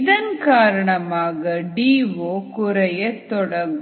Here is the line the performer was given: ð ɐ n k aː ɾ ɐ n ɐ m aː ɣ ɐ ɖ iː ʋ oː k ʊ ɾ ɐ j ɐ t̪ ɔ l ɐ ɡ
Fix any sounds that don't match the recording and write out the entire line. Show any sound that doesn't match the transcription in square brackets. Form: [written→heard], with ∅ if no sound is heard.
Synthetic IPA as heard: ð ɐ n k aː ɾ ɐ [n→ɳ] ɐ m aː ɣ ɐ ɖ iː ʋ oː k ʊ ɾ ɐ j ɐ t̪ ɔ [l→ɽ] ɐ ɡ